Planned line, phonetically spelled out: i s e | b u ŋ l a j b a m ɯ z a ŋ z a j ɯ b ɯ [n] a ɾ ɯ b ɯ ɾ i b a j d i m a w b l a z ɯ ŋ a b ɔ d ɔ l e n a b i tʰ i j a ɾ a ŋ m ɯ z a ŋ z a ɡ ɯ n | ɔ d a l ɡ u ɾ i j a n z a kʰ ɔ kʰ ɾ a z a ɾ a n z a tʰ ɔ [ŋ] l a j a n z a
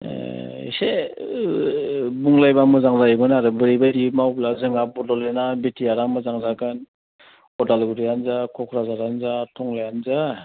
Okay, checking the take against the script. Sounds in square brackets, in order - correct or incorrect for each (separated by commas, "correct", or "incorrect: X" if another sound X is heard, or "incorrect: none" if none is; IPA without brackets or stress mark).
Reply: correct, correct